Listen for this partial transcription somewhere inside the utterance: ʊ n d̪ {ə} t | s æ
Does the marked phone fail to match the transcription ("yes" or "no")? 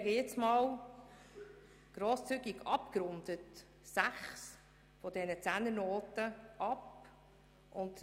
no